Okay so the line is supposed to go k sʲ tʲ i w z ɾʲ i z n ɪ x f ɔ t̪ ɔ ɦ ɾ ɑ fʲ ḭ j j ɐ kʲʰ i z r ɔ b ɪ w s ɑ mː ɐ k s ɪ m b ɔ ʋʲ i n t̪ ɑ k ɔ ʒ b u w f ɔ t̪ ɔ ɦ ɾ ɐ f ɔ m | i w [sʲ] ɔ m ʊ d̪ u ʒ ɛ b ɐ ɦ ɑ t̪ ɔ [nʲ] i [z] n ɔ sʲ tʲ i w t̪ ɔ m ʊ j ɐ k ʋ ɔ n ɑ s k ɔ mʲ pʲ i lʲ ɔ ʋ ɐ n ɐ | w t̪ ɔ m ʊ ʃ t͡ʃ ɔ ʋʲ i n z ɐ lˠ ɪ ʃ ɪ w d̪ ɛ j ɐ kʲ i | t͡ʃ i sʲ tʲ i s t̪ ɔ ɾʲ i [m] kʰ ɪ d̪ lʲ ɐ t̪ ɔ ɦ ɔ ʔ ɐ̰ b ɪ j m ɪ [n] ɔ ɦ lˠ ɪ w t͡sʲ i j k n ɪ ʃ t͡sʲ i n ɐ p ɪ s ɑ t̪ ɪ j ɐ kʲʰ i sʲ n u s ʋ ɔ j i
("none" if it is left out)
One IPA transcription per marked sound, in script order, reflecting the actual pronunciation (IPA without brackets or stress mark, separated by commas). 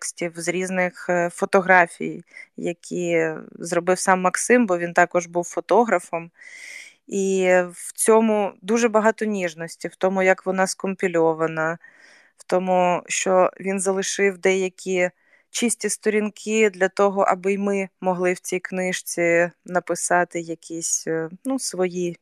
t͡sʲ, nʲ, ʒ, n, m